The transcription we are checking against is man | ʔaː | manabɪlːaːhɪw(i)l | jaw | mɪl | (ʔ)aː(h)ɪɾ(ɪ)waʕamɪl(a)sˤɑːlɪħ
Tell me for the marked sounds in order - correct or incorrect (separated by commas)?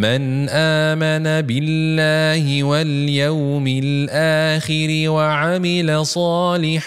incorrect, correct, incorrect, correct, correct